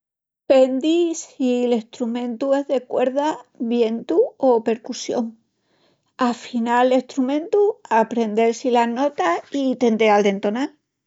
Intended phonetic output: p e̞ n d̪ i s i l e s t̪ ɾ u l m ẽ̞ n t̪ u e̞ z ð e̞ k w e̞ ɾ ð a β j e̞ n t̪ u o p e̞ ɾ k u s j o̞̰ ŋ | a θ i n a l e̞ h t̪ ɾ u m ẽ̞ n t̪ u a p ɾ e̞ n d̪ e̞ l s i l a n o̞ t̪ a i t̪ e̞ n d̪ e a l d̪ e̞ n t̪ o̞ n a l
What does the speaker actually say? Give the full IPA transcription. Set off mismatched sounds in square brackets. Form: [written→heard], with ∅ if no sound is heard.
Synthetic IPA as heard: p e̞ n d̪ i s i l e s t̪ ɾ u [l→∅] m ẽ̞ n t̪ u e̞ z ð e̞ k w e̞ ɾ ð a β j e̞ n t̪ u o p e̞ ɾ k u s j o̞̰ ŋ | a [θ→f] i n a l e̞ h t̪ ɾ u m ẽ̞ n t̪ u a p ɾ e̞ n d̪ e̞ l s i l a n o̞ t̪ a i t̪ e̞ n d̪ e a l d̪ e̞ n t̪ o̞ n a l

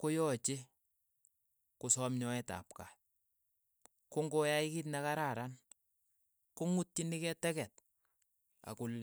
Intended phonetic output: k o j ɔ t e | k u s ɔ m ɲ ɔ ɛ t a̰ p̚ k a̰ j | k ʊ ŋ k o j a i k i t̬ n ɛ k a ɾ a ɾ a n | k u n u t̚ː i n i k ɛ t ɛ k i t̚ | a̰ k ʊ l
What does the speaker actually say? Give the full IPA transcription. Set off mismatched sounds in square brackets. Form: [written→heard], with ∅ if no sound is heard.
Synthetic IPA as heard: k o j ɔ [t→t͡ʃ] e | k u s ɔ m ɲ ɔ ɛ t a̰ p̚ k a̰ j | k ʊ ŋ [k→ɡ] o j a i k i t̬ n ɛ k a ɾ a ɾ a n | k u [n→ŋ] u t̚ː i n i k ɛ t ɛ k [i→ɛ] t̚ | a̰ k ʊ l

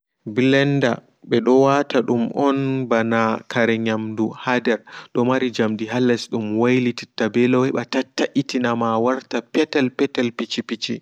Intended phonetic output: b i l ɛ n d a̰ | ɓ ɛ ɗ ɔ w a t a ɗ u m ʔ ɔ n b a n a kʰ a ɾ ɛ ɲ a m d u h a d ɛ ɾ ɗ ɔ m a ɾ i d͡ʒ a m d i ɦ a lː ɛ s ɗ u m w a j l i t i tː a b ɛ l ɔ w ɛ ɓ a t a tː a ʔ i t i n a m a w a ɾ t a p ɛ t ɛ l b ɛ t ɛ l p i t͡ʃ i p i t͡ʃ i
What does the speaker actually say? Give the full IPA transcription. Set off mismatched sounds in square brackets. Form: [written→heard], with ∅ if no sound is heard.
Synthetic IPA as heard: b i l ɛ n d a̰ | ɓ ɛ ɗ ɔ w a t a ɗ u m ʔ ɔ n b a n a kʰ a ɾ ɛ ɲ a m d u h a d ɛ ɾ ɗ ɔ m a ɾ i d͡ʒ a m d i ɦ a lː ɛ s ɗ u m w a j l i t i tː a b ɛ l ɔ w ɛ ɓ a t a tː a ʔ i t i n a m a w a ɾ t a p ɛ t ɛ l [b→p] ɛ t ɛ l p i t͡ʃ i p i t͡ʃ i

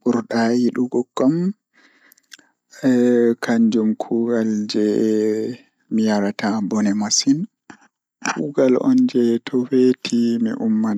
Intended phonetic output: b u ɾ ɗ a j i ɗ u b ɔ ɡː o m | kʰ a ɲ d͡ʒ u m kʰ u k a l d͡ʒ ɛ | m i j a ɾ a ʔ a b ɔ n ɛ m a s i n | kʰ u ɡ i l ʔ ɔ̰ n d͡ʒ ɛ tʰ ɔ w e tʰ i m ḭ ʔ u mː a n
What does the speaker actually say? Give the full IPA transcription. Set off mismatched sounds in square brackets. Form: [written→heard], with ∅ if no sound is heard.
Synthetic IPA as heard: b u ɾ ɗ a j i ɗ u [b→ɡ] ɔ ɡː [o→ɔ] m | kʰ a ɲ d͡ʒ u m kʰ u [k→ɡ] a l d͡ʒ ɛ | m i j a ɾ a [ʔ→t] a b ɔ n ɛ m a s i n | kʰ u ɡ [i→a] l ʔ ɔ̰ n d͡ʒ ɛ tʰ ɔ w e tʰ i m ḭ ʔ u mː a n

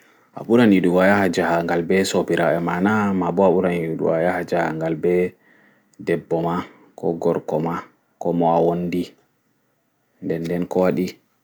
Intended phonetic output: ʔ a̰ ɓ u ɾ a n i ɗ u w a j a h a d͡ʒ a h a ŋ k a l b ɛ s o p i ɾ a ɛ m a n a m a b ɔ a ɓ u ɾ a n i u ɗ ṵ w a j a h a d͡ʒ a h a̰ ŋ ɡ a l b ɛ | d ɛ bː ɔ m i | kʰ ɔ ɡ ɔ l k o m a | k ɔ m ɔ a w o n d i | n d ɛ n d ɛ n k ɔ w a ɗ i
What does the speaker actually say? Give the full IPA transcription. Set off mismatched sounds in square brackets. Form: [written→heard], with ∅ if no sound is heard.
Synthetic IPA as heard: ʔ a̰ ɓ u ɾ a n i ɗ u w a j a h a d͡ʒ a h a ŋ [k→ɡ] a l b ɛ s o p i ɾ a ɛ m a n a m a b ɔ a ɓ u ɾ a n i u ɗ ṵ w a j a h a d͡ʒ a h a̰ ŋ ɡ a l b ɛ | d ɛ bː ɔ m [i→a] | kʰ ɔ ɡ ɔ [l→ɾ] k [o→ɔ] m a | k ɔ m ɔ a w o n d i | n d ɛ n d ɛ n k ɔ w a ɗ i

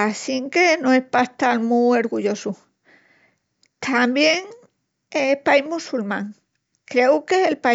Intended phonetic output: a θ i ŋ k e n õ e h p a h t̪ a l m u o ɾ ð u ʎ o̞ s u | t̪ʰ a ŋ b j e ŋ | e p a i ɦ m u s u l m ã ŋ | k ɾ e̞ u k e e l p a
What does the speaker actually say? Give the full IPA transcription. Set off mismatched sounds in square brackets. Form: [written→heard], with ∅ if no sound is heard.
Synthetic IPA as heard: a [θ→s] i ŋ k e n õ e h p a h t̪ a l m u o ɾ [ð→ɣ] u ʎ o̞ s u | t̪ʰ a [ŋ→m] b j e ŋ | e p a i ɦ m u s u l m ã ŋ | k ɾ e̞ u k e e l p a

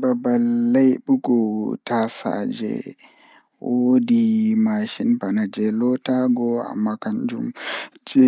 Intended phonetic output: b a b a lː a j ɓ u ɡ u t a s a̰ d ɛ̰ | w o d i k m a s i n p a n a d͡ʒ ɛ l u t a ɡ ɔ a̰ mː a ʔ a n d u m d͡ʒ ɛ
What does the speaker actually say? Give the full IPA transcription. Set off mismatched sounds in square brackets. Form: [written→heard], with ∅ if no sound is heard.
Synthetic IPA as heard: b a b a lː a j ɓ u ɡ [u→ɔ] t a s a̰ [d→d͡ʒ] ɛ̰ | w o d i [k→∅] m a [s→ʃ] i n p a n a d͡ʒ ɛ l [u→ɔ] t a ɡ ɔ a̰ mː a [ʔ→k] a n [d→d͡ʒ] u m d͡ʒ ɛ

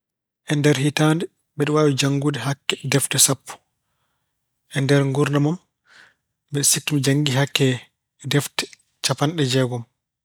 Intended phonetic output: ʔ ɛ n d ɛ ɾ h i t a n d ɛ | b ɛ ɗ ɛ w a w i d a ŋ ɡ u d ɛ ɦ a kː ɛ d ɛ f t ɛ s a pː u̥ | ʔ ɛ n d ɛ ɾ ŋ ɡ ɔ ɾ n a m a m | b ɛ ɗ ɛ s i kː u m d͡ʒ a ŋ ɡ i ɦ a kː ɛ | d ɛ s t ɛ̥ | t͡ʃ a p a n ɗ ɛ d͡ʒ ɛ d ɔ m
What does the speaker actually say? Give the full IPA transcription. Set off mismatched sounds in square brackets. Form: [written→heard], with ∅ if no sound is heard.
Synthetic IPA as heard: ʔ ɛ n d ɛ ɾ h i t a n d ɛ | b ɛ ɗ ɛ w a w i [d→d͡ʒ] a ŋ ɡ u d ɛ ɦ a kː ɛ d ɛ f t ɛ s a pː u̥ | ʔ ɛ n d ɛ ɾ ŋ ɡ [ɔ→u] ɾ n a m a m | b ɛ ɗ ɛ s i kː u m d͡ʒ a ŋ ɡ i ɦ a kː ɛ | d ɛ [s→f] t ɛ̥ | t͡ʃ a p a n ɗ ɛ d͡ʒ ɛ [d→ɡ] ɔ m

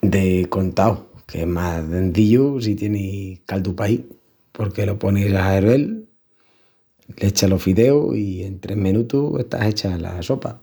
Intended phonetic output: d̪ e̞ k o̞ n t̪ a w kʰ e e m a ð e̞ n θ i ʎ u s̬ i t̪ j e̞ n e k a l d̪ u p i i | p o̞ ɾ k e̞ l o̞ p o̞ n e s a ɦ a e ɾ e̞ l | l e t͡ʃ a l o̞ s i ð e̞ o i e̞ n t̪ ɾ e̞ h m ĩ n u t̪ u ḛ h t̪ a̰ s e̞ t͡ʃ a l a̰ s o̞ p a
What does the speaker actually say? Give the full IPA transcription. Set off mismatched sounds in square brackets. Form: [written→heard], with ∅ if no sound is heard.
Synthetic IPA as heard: d̪ e̞ k o̞ n t̪ a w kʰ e e m a ð e̞ n θ i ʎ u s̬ i t̪ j e̞ n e k a l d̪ u p [i→a] i | p o̞ ɾ k e̞ l o̞ p o̞ n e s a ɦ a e ɾ e̞ l | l e t͡ʃ a l o̞ [s→f] i ð e̞ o i e̞ n t̪ ɾ e̞ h m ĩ n u t̪ u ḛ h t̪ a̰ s e̞ t͡ʃ a l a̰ s o̞ p a

